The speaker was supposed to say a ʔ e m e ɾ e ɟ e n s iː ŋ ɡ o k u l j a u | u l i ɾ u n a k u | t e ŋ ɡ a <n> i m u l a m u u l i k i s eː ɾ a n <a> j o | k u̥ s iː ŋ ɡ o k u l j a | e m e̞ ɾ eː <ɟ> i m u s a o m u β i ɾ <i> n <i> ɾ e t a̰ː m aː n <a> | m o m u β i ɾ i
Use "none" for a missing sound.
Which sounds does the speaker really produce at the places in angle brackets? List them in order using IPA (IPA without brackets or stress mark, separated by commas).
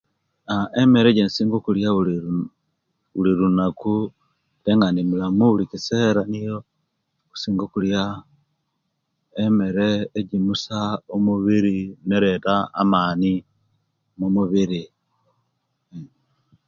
n, i, ɟ, i, e, i